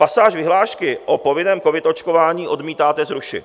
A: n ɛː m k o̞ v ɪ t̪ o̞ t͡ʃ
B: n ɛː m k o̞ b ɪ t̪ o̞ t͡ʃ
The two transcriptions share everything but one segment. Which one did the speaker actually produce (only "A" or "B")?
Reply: A